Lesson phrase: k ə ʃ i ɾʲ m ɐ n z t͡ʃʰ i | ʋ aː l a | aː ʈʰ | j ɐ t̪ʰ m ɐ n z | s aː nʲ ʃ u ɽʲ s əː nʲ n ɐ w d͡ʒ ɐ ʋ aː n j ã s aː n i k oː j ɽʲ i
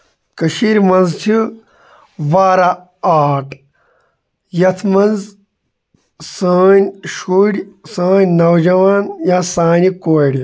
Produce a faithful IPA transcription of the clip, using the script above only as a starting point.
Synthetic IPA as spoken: k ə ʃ i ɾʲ m ɐ n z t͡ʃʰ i | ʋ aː ɾ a | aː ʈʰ | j ɐ t̪ʰ m ɐ n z | s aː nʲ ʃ u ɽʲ s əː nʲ n ɐ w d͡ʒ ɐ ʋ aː n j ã s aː n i k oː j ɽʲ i